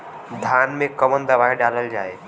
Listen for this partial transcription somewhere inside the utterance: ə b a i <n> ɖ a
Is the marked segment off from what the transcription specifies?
yes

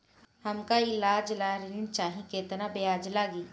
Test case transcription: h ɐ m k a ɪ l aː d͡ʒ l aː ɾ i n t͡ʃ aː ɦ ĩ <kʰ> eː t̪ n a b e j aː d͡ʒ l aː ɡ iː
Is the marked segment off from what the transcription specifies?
yes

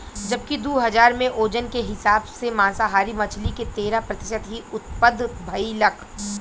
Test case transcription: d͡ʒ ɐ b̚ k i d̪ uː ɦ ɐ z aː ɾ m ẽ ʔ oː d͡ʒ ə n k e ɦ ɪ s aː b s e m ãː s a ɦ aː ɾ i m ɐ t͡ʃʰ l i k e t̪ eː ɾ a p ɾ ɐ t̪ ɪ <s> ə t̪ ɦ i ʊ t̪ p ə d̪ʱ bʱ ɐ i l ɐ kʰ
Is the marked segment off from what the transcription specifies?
yes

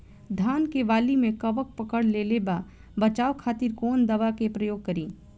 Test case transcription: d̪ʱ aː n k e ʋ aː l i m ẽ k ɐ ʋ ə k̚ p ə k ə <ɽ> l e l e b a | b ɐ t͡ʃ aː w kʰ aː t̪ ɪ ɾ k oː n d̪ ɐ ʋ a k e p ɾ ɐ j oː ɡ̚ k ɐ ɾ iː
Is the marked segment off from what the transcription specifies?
no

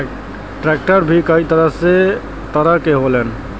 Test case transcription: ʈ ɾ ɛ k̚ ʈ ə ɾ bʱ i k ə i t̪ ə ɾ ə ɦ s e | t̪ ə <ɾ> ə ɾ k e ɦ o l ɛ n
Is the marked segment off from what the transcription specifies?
no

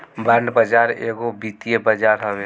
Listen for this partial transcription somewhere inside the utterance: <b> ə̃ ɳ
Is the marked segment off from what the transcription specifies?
no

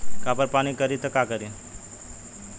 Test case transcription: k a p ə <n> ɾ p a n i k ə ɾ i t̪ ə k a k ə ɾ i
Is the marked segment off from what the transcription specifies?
yes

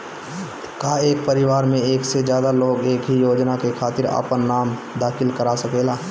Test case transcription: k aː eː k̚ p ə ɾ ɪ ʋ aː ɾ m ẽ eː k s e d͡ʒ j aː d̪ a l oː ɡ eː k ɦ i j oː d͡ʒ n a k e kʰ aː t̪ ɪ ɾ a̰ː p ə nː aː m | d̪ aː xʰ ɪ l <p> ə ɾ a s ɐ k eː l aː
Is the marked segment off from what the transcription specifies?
yes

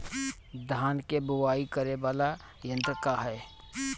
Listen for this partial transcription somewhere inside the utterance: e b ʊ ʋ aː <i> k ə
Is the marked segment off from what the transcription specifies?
no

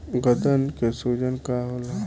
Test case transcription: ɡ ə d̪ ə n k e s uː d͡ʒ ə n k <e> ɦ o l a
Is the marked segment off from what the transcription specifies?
yes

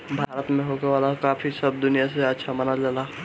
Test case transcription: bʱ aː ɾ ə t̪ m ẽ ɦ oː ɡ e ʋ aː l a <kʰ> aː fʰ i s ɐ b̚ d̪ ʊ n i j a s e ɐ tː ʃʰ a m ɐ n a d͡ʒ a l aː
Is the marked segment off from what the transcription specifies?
yes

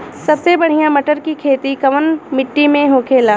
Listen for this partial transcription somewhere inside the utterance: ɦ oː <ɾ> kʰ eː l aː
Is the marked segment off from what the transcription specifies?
yes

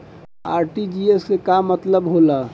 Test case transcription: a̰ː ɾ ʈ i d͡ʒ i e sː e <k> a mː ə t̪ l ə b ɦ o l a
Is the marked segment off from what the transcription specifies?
no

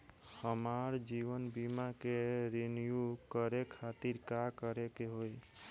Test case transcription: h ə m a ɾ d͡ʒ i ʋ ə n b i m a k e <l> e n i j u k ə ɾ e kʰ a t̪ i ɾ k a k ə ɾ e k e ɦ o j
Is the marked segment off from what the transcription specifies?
yes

